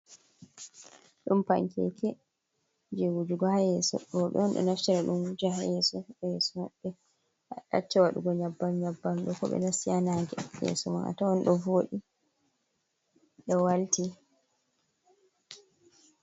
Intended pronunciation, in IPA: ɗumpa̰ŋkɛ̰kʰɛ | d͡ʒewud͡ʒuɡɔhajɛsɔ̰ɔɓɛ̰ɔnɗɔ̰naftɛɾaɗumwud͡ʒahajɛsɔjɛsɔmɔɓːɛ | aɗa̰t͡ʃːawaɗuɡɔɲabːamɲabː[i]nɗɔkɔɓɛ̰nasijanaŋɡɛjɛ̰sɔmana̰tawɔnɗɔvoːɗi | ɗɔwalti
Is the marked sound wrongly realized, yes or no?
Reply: yes